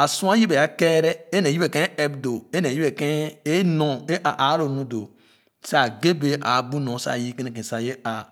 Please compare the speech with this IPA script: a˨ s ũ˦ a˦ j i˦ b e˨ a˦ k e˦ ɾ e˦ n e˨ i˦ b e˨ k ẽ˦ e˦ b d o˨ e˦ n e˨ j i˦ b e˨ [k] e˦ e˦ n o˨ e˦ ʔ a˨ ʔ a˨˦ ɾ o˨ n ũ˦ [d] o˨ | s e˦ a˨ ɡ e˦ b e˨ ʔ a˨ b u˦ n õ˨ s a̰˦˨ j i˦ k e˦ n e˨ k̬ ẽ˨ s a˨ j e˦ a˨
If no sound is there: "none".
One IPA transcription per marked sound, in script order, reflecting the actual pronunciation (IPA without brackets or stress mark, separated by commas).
k, d